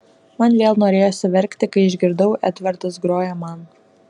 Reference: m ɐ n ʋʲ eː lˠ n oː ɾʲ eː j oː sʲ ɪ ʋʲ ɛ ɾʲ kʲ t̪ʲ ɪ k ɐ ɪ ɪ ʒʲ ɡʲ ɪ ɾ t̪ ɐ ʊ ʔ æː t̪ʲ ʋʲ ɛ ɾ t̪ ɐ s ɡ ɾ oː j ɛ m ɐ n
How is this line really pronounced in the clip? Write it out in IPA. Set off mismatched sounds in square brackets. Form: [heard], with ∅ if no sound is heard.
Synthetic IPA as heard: m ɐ n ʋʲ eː lˠ n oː ɾʲ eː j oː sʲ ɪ ʋʲ ɛ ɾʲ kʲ t̪ʲ ɪ k ɐ ɪ ɪ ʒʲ ɡʲ ɪ ɾ [d̪] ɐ ʊ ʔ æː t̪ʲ ʋʲ ɛ ɾ t̪ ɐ s ɡ ɾ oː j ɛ m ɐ n